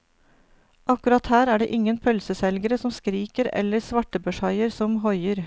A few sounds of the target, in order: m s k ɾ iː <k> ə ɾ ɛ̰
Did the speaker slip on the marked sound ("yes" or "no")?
no